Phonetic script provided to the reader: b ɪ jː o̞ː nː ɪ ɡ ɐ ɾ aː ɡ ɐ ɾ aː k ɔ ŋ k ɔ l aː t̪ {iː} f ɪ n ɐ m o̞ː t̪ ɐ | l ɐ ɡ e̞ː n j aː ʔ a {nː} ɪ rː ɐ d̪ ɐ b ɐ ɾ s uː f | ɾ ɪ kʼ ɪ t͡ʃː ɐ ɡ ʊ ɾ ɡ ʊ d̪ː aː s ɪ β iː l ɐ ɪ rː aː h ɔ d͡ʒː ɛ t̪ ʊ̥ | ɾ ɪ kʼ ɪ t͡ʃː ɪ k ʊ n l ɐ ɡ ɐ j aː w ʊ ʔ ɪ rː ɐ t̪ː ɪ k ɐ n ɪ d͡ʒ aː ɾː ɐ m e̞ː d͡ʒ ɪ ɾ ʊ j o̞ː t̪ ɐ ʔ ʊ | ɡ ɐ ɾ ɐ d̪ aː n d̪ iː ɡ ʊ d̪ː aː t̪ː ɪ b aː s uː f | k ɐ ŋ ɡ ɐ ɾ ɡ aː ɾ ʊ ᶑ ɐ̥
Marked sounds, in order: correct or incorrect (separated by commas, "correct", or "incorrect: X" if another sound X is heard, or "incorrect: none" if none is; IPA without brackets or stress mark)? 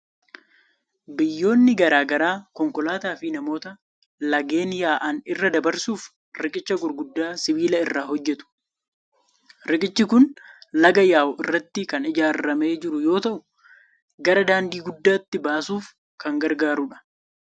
incorrect: aː, incorrect: n